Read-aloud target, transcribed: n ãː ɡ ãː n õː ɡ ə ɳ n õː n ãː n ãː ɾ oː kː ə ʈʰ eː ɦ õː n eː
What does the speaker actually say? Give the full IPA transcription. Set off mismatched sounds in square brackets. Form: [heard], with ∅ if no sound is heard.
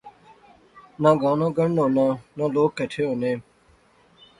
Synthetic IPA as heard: n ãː ɡ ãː n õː ɡ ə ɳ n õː n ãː n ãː [l] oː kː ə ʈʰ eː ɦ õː n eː